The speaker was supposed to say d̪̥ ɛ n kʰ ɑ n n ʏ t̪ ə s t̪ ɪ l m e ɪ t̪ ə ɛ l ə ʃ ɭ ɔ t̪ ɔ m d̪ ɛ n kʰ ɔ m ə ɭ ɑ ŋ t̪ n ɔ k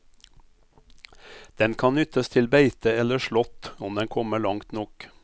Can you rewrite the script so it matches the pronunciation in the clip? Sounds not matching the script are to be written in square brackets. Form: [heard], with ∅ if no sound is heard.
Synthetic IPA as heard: d̪̥ ɛ n kʰ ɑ n n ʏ t̪ ə s [t̪ʰ] ɪ l [b] e ɪ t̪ ə ɛ l ə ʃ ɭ ɔ t̪ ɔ m d̪ ɛ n kʰ ɔ m ə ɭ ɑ ŋ t̪ n ɔ k